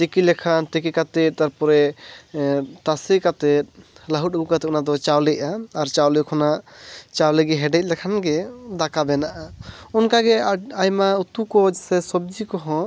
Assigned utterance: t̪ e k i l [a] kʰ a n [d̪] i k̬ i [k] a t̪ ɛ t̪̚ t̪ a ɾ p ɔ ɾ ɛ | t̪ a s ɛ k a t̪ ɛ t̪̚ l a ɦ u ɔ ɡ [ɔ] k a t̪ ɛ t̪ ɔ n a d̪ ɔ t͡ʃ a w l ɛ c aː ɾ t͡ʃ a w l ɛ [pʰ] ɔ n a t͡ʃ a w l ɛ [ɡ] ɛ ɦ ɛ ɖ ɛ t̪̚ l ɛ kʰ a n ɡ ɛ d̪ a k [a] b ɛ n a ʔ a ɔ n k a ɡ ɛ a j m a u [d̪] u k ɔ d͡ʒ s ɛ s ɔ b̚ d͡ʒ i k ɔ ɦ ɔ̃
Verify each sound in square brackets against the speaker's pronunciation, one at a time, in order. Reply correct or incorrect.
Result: incorrect, incorrect, correct, incorrect, incorrect, correct, correct, incorrect

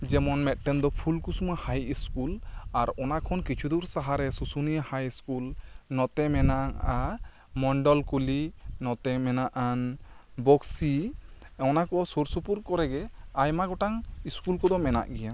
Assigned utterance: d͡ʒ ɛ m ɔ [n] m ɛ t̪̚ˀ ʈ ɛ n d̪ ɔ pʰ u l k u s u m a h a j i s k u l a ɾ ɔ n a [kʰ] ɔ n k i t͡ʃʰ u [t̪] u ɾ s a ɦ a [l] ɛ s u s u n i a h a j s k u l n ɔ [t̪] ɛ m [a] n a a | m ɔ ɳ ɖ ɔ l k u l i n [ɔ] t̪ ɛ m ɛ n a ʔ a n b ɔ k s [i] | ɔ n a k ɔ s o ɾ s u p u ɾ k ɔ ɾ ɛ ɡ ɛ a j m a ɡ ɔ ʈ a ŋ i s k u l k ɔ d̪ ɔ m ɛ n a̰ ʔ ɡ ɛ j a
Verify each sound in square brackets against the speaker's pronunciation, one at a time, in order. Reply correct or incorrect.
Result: correct, correct, incorrect, incorrect, correct, incorrect, correct, correct

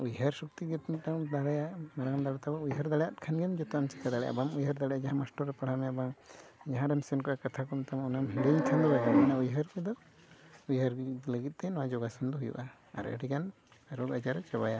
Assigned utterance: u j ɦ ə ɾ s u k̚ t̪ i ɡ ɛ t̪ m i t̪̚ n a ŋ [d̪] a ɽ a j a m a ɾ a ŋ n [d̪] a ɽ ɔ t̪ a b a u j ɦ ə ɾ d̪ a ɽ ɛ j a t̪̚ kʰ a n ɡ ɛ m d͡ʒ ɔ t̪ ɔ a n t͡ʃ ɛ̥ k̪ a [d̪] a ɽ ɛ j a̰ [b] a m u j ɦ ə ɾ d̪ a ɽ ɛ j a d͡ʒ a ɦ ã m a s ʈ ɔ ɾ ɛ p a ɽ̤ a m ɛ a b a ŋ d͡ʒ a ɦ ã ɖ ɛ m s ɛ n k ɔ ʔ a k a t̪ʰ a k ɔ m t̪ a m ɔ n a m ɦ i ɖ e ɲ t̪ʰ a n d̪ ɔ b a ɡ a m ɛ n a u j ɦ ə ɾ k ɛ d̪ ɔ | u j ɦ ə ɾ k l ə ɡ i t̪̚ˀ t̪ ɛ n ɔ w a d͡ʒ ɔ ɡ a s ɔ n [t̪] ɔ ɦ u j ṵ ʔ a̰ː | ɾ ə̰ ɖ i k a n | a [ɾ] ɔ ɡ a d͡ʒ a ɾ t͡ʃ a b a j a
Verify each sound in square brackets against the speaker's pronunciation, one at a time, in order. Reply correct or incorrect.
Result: correct, correct, correct, correct, incorrect, correct

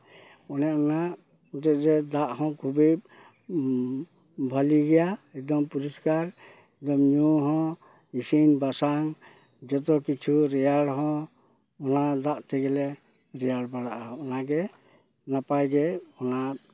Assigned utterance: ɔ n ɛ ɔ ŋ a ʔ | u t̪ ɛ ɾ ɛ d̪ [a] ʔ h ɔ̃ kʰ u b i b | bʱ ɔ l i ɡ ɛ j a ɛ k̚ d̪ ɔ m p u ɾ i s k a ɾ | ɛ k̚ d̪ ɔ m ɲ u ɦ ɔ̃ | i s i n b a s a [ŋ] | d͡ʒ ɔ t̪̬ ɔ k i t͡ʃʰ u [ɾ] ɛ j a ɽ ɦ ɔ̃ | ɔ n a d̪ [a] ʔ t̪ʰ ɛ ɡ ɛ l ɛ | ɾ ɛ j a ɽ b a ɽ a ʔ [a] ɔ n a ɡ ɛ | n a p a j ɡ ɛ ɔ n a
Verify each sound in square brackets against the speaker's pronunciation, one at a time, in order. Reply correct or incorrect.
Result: correct, correct, correct, correct, correct

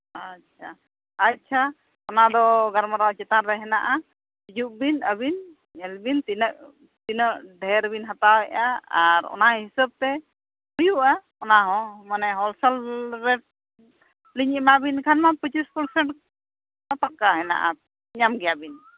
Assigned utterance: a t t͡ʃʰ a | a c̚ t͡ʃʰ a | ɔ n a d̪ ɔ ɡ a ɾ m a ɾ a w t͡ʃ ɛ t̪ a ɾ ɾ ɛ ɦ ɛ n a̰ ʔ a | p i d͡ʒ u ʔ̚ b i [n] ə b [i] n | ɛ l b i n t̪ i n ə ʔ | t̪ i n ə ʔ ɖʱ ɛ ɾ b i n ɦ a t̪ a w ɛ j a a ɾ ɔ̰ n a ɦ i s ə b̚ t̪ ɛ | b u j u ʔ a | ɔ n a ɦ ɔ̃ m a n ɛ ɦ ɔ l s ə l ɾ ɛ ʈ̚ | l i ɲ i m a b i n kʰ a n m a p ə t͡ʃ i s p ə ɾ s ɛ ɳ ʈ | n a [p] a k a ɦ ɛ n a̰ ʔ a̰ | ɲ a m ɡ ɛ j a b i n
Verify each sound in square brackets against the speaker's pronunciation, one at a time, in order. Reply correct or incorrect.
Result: correct, correct, correct

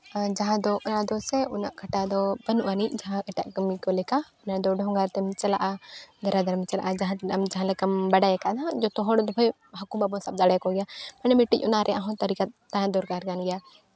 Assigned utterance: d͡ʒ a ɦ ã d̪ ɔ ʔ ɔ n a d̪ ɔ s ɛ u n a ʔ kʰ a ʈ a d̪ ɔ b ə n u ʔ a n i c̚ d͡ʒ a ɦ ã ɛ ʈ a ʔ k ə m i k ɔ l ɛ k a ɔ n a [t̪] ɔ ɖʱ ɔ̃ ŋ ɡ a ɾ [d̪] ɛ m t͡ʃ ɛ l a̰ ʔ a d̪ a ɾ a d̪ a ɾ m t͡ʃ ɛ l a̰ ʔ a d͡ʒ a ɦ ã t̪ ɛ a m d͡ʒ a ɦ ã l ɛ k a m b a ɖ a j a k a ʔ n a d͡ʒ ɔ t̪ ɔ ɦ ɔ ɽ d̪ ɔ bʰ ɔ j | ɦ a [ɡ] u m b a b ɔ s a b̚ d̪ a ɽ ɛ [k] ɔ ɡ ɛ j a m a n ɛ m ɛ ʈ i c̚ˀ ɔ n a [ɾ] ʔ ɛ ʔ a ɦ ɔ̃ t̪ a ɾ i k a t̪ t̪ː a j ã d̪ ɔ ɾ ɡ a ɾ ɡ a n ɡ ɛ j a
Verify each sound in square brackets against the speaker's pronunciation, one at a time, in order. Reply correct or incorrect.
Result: incorrect, incorrect, incorrect, correct, correct

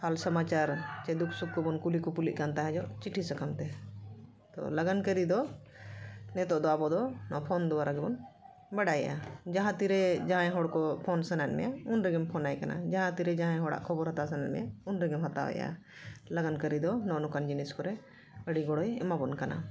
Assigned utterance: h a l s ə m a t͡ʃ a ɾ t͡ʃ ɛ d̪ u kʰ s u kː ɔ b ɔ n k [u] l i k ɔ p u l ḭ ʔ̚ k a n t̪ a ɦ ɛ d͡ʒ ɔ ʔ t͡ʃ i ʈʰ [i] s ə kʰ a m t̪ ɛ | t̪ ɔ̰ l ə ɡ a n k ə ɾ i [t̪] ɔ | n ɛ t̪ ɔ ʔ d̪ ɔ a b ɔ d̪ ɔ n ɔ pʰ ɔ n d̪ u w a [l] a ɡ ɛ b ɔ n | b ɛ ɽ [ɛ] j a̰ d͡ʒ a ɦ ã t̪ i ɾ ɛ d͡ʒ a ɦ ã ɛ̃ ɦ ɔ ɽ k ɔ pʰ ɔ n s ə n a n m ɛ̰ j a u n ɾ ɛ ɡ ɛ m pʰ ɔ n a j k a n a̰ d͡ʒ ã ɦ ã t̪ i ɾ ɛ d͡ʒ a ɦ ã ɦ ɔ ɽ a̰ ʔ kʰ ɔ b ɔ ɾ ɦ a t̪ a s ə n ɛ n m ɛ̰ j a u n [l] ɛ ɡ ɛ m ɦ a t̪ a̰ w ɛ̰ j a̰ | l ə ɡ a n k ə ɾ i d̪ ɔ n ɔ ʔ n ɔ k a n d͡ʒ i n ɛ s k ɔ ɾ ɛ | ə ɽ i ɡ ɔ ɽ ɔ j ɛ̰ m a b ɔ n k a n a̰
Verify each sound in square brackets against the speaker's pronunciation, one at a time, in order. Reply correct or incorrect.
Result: correct, correct, incorrect, incorrect, incorrect, incorrect

